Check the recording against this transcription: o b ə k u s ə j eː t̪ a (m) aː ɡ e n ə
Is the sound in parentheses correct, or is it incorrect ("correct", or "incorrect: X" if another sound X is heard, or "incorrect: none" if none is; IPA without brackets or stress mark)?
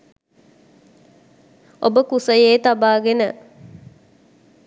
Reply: incorrect: b